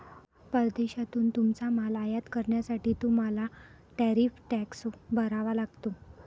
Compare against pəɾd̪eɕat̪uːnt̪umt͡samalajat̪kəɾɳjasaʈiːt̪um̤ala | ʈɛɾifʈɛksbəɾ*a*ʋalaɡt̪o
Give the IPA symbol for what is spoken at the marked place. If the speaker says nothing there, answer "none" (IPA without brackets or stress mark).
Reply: a